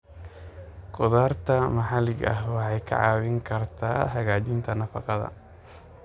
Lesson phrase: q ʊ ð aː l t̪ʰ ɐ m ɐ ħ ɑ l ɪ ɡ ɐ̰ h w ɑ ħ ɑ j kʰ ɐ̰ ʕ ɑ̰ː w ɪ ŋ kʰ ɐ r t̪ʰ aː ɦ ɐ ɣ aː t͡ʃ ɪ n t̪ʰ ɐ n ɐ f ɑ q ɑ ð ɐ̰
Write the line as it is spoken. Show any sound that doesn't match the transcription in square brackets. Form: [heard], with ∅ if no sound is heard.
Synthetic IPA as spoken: q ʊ ð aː [r] t̪ʰ ɐ m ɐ ħ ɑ l ɪ ɡ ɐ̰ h w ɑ ħ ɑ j kʰ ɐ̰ ʕ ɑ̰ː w ɪ ŋ kʰ ɐ r t̪ʰ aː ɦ ɐ ɣ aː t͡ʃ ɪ n t̪ʰ ɐ n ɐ f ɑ q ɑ ð ɐ̰

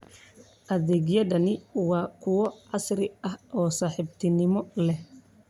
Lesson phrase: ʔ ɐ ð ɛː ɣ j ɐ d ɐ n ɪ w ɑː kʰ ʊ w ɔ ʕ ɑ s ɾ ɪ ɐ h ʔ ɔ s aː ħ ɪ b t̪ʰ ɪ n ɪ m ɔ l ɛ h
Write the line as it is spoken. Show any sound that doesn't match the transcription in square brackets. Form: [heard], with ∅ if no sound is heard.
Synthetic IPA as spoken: ʔ ɐ ð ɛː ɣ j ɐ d ɐ n ɪ w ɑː kʰ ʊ w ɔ ʕ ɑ s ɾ ɪ ɐ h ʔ [ɔː] s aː ħ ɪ b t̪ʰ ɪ n ɪ m ɔ l ɛ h

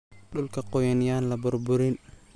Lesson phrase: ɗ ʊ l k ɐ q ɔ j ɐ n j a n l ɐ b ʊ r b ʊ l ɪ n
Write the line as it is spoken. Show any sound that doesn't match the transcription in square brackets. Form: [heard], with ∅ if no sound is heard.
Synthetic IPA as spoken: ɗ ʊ l k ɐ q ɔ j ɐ n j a n l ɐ b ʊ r b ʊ [ɾ] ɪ n

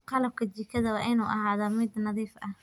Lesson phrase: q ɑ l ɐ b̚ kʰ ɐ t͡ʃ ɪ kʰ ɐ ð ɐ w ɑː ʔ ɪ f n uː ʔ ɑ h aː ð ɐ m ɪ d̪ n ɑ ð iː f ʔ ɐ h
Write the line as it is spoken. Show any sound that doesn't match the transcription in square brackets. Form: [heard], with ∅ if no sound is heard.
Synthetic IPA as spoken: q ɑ l ɐ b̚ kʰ ɐ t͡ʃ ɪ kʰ ɐ ð ɐ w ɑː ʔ ɪ [∅] n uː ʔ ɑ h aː ð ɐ m ɪ d̪ n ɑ ð iː f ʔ ɐ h

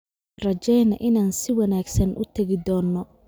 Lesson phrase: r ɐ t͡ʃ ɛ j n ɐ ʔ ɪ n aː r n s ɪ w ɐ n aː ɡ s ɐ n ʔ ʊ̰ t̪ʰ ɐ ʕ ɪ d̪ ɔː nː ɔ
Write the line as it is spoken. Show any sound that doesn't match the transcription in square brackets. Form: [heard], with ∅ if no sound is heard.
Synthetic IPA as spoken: r ɐ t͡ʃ ɛ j n ɐ ʔ ɪ n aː [∅] n s ɪ w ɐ n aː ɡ s ɐ n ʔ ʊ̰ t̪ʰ ɐ [ɣ] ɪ d̪ ɔː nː ɔ

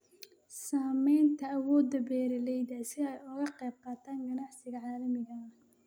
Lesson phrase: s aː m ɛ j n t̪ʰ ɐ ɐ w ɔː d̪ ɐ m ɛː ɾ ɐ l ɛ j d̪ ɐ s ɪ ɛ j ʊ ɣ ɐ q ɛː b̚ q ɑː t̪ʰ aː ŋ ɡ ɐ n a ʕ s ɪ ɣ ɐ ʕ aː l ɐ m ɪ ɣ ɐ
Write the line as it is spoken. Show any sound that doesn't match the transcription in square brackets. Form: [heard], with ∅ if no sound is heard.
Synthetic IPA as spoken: s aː m ɛ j n t̪ʰ ɐ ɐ w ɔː d̪ ɐ [b] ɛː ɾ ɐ l ɛ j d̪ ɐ s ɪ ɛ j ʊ ɣ ɐ q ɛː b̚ q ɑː t̪ʰ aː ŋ ɡ ɐ n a ʕ s ɪ ɣ ɐ ʕ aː l ɐ m ɪ ɣ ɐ

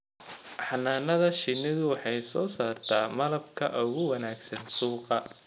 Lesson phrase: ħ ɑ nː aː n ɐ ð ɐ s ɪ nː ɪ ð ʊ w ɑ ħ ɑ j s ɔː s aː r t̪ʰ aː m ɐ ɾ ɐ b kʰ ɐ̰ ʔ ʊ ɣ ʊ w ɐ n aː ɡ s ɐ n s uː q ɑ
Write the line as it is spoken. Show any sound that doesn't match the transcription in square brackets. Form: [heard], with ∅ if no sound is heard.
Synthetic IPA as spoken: ħ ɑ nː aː n ɐ ð ɐ [ʃ] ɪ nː ɪ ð ʊ w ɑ ħ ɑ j s ɔː s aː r t̪ʰ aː m ɐ [l] ɐ b kʰ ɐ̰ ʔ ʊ ɣ ʊ w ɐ n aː ɡ s ɐ n s uː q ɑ

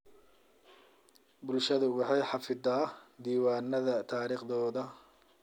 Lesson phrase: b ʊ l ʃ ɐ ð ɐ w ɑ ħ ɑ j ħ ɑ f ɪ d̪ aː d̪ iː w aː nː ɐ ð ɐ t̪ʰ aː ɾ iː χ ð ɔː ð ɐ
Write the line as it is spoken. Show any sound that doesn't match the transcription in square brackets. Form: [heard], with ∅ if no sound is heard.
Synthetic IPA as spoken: b ʊ l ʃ ɐ ð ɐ w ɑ ħ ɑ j ħ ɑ f ɪ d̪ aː d̪ iː w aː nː ɐ ð ɐ t̪ʰ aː ɾ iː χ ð ɔː ð ɐ

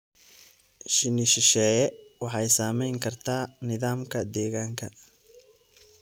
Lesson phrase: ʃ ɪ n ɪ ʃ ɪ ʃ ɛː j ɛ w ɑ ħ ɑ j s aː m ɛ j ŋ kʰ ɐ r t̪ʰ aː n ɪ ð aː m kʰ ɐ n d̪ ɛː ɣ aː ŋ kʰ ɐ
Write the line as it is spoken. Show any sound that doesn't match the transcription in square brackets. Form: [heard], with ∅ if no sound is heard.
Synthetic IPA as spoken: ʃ ɪ n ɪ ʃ ɪ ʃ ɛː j ɛ w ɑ ħ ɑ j s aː m ɛ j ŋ kʰ ɐ r t̪ʰ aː n ɪ ð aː m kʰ ɐ [∅] d̪ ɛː ɣ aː ŋ kʰ ɐ

